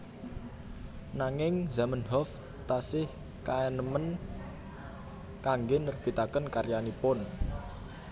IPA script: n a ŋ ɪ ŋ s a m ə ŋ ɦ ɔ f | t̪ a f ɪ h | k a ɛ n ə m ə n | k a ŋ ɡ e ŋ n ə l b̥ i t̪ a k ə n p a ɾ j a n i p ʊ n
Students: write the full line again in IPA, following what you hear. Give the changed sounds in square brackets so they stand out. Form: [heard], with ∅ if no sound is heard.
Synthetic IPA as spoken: n a ŋ ɪ ŋ [z] a m ə [n] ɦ ɔ f | t̪ a [s] ɪ h | k a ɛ n ə m ə n | k a ŋ ɡ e [∅] n ə [r] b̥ i t̪ a k ə n [k] a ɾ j a n i p ʊ n